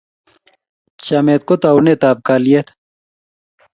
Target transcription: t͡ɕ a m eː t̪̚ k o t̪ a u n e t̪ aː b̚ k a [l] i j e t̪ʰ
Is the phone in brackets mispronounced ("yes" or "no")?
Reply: no